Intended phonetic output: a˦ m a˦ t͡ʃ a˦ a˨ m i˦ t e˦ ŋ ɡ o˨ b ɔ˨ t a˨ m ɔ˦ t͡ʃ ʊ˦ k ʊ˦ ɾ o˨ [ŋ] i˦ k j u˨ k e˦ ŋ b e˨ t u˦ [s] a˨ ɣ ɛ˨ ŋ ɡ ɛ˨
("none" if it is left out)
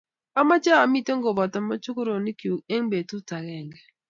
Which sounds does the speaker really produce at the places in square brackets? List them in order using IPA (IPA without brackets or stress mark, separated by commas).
n, t